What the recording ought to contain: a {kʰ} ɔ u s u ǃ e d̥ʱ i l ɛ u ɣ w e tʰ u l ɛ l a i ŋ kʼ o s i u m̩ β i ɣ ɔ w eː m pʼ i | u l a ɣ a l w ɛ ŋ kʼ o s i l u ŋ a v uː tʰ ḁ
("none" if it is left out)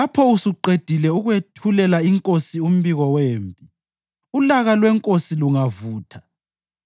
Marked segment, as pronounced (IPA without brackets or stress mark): pʰ